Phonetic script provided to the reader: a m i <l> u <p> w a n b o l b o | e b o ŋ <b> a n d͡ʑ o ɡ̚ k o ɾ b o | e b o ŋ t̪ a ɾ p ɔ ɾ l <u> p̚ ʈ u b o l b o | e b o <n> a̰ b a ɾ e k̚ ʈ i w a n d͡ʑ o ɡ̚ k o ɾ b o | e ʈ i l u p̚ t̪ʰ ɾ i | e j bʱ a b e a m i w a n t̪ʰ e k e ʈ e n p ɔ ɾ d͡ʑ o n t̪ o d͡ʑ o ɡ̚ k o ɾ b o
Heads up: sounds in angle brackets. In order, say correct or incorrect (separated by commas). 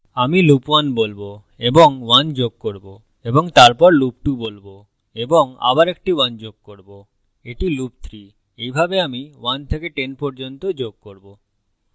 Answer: correct, correct, incorrect, correct, incorrect